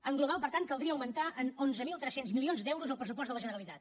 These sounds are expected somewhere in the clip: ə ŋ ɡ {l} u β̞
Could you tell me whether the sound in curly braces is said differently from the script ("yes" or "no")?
no